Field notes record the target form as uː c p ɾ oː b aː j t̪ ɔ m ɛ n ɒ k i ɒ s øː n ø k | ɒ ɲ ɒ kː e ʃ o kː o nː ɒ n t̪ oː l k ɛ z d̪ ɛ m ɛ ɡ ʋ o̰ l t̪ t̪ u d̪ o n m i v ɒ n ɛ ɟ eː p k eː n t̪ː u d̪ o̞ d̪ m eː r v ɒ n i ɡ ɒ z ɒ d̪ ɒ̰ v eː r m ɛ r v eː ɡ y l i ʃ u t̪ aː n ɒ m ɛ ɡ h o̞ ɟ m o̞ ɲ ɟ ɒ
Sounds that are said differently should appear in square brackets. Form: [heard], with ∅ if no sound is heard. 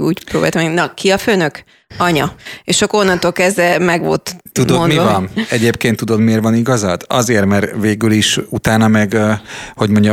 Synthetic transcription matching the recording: uː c p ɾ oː b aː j t̪ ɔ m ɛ n ɒ k i ɒ [f] øː n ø k | ɒ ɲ ɒ [∅] e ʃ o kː o nː ɒ n t̪ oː l k ɛ z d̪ ɛ m ɛ ɡ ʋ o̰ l t̪ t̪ u d̪ o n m i v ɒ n ɛ ɟ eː p k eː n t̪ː u d̪ o̞ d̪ m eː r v ɒ n i ɡ ɒ z ɒ d̪ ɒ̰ [z] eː r m ɛ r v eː ɡ y l i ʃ u t̪ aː n ɒ m ɛ ɡ h o̞ ɟ m o̞ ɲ ɟ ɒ